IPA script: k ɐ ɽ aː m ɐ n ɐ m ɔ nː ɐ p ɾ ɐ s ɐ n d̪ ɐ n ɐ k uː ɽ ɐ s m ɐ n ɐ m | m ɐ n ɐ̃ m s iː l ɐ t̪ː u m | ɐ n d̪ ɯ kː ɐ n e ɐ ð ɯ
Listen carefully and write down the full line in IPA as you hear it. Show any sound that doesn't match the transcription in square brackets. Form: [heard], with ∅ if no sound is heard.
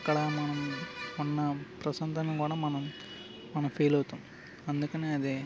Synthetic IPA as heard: k ɐ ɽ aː m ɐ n ɐ m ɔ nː ɐ p ɾ ɐ s ɐ n d̪ ɐ n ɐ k uː ɽ ɐ [∅] m ɐ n ɐ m | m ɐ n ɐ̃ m [f] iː l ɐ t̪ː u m | ɐ n d̪ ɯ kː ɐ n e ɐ ð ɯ